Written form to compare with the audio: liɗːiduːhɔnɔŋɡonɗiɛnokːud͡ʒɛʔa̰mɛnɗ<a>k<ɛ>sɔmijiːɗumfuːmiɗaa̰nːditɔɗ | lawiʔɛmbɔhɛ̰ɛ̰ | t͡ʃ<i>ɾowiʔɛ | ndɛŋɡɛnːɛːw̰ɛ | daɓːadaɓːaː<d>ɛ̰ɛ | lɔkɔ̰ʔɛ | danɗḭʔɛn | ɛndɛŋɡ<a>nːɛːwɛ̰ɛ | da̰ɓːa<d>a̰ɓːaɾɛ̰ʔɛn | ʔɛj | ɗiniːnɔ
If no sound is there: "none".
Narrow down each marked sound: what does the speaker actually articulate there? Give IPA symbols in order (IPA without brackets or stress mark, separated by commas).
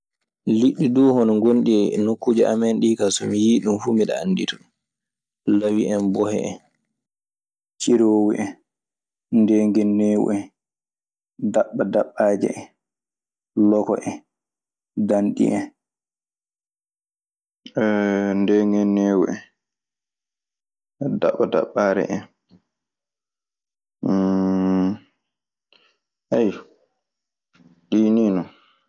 i, a, i, d͡ʒ, ɛ, d